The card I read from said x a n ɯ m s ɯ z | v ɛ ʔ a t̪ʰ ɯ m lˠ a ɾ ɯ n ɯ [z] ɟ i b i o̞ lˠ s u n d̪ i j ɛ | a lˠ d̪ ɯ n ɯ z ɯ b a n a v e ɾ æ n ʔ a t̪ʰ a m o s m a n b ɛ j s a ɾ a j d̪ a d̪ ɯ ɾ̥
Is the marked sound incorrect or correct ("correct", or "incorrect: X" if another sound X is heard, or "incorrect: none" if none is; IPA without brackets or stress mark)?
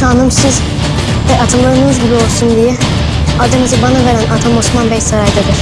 correct